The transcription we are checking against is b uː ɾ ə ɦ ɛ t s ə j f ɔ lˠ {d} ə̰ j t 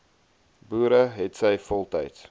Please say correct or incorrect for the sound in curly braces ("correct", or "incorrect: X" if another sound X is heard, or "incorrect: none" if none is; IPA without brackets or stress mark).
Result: incorrect: t